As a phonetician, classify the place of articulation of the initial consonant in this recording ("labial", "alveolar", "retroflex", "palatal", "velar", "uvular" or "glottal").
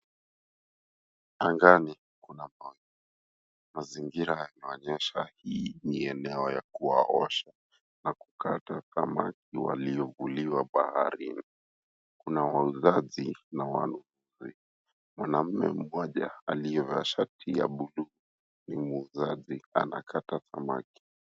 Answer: velar